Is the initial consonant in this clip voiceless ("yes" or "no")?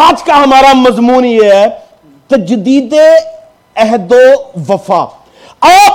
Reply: no